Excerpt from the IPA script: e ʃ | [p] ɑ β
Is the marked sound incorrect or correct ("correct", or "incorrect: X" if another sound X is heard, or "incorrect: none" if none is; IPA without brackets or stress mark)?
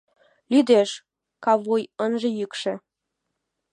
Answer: incorrect: k